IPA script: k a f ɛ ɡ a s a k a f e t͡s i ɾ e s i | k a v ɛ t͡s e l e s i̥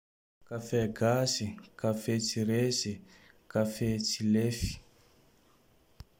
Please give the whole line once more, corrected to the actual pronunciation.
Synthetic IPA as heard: k a f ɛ ɡ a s i k a f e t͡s i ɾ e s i | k a f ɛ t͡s i l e f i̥